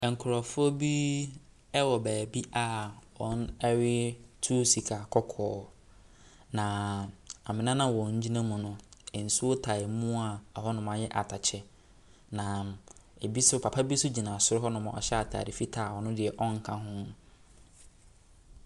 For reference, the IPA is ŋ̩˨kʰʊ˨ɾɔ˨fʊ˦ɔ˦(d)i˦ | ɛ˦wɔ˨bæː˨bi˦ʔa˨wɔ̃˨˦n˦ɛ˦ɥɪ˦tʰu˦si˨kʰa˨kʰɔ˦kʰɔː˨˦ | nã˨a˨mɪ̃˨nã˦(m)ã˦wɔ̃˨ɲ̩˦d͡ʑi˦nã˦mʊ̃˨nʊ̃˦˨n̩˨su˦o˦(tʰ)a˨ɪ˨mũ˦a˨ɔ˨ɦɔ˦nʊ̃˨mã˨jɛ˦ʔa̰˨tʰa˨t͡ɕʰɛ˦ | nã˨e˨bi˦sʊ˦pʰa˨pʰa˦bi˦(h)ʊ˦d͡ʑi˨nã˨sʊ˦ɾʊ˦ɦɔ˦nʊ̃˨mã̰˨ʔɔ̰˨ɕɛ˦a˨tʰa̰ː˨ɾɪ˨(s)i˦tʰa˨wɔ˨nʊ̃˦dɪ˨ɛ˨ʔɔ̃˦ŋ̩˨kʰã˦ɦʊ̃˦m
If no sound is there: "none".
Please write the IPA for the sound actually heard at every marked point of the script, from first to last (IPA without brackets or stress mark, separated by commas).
b, n, tʰ, s, f